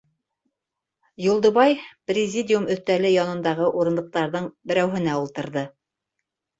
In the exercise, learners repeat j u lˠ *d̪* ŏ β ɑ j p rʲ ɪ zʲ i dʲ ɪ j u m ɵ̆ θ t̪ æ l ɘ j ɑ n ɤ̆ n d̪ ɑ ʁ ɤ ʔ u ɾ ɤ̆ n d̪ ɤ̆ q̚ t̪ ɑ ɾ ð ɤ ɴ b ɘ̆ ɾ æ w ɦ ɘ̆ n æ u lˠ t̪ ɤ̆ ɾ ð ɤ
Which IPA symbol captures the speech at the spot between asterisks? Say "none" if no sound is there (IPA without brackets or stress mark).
d̪